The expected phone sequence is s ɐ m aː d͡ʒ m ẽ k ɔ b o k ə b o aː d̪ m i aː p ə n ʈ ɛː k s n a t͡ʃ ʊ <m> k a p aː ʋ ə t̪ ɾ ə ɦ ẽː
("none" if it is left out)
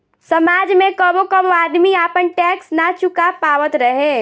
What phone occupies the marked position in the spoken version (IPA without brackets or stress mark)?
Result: none